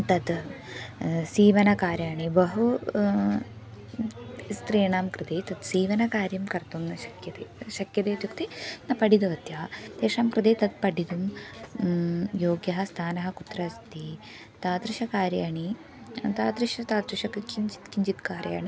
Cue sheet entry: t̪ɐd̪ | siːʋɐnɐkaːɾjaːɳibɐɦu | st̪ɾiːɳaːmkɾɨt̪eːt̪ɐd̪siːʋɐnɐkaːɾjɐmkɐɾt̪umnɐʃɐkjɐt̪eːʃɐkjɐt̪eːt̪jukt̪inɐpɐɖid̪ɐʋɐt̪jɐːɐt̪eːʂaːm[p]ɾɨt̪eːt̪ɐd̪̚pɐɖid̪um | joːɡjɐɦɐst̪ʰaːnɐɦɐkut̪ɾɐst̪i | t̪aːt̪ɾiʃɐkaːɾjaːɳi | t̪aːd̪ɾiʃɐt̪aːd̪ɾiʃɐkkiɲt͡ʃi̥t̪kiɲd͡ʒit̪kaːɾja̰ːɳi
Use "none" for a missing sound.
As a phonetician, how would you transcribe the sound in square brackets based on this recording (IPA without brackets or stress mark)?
k